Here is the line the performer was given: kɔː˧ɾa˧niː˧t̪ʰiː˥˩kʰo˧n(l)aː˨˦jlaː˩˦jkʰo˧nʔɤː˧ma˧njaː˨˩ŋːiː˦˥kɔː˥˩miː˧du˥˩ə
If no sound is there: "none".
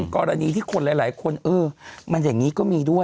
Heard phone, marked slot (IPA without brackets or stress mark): l